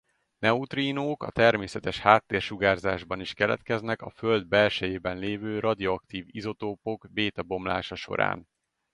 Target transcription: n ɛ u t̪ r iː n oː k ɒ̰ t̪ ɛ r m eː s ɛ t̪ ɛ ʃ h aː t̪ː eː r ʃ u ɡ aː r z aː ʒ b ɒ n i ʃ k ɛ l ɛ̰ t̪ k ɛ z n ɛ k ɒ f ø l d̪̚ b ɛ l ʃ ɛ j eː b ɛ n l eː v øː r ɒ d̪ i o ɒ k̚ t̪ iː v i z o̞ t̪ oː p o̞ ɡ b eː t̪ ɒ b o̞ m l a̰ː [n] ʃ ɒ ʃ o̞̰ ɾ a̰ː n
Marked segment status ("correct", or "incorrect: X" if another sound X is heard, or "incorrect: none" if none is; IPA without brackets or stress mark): incorrect: none